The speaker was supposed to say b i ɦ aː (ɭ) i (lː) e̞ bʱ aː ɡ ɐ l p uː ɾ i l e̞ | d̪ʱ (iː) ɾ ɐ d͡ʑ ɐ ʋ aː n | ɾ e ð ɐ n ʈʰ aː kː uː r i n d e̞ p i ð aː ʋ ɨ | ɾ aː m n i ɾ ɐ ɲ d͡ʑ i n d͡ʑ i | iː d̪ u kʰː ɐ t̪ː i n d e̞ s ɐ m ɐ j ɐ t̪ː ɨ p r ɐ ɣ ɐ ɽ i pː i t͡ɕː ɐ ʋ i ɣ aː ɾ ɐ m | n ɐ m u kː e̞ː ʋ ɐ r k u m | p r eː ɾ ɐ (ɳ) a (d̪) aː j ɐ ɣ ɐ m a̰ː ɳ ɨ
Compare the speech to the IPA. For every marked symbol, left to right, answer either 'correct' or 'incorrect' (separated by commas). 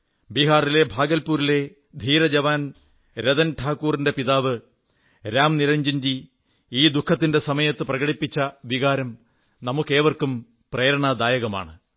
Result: incorrect, incorrect, correct, correct, correct